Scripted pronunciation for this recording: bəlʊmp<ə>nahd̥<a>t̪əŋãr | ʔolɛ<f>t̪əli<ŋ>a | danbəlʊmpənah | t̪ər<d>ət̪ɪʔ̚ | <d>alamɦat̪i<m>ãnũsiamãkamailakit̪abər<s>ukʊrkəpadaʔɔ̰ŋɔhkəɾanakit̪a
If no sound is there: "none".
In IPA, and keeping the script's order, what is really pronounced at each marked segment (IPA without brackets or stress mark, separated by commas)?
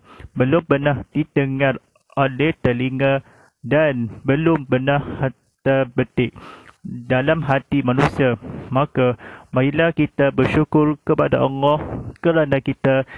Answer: ə, i, h, ŋ, b, d, m, ʃ